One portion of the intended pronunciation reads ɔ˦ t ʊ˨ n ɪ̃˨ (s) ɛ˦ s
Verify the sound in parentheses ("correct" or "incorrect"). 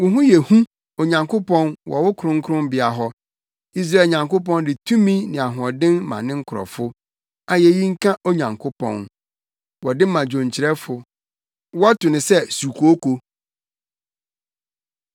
correct